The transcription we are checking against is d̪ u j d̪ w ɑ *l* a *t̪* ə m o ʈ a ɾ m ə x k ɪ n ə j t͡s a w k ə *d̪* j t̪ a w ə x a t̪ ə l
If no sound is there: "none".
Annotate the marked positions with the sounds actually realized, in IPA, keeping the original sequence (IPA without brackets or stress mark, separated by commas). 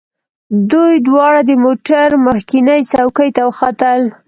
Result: ɽ, d̪, none